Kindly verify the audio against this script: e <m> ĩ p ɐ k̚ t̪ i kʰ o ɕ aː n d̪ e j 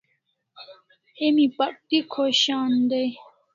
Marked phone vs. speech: correct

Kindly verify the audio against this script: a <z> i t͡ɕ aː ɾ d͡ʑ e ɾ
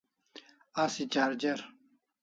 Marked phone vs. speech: incorrect: s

